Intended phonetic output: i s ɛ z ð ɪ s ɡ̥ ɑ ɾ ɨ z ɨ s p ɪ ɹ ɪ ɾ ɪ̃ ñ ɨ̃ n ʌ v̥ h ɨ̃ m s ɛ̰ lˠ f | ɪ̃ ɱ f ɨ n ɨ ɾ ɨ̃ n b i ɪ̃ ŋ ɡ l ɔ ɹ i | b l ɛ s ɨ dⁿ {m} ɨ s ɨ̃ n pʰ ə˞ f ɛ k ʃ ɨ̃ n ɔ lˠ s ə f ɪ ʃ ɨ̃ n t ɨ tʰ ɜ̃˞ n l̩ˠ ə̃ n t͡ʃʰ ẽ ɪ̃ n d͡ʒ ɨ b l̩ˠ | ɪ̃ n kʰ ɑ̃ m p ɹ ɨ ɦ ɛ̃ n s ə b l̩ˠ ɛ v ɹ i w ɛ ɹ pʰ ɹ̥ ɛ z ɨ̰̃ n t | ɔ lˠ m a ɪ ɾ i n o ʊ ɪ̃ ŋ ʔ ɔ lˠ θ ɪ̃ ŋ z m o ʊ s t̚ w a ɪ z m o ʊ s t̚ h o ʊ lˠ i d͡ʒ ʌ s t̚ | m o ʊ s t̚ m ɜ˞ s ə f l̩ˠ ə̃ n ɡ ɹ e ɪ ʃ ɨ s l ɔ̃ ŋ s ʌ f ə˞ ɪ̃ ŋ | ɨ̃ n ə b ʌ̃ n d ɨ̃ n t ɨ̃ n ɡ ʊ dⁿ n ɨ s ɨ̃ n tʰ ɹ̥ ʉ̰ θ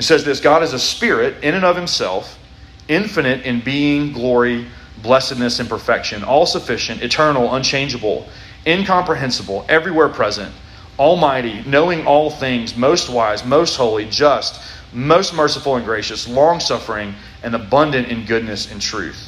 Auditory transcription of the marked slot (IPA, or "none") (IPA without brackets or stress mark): n